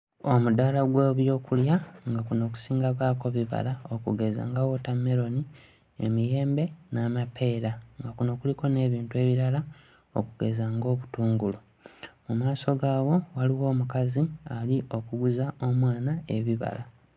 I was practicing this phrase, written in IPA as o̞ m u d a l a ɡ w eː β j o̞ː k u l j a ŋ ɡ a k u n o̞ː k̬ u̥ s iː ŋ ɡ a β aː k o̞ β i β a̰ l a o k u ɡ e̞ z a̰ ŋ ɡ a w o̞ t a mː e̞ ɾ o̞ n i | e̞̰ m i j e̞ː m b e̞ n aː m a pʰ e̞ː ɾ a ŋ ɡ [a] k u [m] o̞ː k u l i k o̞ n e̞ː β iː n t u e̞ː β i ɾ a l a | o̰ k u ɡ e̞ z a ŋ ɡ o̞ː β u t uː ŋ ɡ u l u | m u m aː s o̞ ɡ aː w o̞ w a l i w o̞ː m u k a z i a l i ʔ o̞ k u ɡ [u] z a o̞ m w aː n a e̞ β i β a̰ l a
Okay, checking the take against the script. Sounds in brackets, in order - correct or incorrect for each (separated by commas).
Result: correct, incorrect, correct